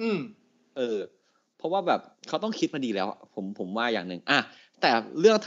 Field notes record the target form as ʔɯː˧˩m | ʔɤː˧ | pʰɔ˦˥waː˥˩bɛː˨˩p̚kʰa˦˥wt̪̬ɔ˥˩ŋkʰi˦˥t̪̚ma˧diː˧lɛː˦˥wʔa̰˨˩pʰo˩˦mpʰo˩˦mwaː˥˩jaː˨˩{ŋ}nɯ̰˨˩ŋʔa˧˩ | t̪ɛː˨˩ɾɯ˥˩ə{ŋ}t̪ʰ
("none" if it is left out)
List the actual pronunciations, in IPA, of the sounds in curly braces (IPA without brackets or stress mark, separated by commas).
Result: ŋ, ŋ